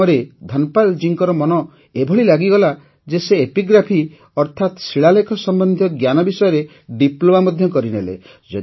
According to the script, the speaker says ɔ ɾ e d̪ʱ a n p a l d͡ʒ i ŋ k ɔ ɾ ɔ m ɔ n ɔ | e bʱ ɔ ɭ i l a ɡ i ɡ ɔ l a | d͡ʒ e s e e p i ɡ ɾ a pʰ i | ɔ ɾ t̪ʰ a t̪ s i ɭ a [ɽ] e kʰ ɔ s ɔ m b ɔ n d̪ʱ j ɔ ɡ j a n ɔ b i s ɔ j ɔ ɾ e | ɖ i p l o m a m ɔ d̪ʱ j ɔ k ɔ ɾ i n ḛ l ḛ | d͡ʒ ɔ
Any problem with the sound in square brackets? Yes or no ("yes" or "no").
yes